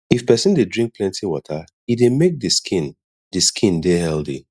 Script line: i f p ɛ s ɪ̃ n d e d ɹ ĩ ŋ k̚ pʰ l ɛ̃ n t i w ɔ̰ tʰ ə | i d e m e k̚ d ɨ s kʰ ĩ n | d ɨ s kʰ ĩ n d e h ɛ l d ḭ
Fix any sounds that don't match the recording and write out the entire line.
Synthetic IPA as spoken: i f p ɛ s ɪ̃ n d e d ɹ ĩ ŋ k̚ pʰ l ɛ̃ n t i w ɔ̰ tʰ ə | i d e m e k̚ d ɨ s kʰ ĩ n | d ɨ s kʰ ĩ n d e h ɛ l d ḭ